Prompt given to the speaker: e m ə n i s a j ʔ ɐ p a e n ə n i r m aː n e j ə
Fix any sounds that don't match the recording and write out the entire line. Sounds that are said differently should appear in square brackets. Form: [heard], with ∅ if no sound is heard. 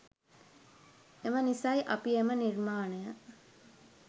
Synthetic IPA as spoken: e m ə n i s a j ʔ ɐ p [i] e [m] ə n i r m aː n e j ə